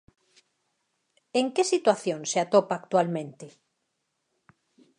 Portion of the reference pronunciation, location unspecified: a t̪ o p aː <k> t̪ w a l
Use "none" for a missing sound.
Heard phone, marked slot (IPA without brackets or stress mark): k